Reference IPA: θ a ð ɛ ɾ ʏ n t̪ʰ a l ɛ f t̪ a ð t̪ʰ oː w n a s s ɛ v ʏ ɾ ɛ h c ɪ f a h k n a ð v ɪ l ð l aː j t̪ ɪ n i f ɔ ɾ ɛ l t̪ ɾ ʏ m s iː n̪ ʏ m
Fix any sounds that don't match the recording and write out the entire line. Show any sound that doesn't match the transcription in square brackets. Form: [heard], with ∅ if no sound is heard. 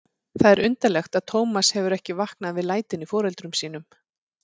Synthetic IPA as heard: θ a ð ɛ ɾ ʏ n [t̪] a l ɛ [x] t̪ a ð t̪ʰ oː w [m] a s [h] ɛ v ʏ ɾ ɛ h c ɪ [v] a h k n a ð v ɪ [∅] ð l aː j t̪ ɪ n i f [ɔː] ɾ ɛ l t̪ ɾ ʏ m s iː n̪ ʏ m